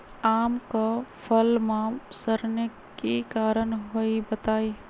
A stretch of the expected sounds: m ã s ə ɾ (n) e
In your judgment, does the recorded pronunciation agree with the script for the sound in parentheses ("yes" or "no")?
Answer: yes